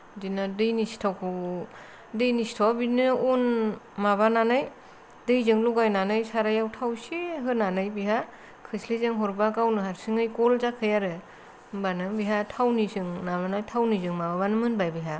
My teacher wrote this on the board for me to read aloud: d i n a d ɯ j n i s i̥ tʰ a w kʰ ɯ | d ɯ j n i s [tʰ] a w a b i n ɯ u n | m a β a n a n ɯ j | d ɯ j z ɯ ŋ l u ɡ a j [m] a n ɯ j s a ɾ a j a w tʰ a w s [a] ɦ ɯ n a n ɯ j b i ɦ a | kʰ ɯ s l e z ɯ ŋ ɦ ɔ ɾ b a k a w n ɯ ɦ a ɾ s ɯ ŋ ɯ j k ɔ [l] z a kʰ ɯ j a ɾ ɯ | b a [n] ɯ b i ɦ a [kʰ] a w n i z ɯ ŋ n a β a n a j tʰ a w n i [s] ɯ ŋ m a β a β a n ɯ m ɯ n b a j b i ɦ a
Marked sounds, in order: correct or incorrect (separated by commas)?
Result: correct, incorrect, incorrect, correct, correct, incorrect, incorrect